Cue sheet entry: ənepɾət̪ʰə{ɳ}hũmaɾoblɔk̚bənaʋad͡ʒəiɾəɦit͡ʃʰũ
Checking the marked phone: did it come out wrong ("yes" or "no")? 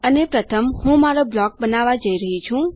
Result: yes